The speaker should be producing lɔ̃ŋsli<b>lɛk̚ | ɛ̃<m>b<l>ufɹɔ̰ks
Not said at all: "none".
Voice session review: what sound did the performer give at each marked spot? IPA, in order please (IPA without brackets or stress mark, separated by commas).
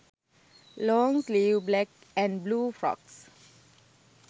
b, n, l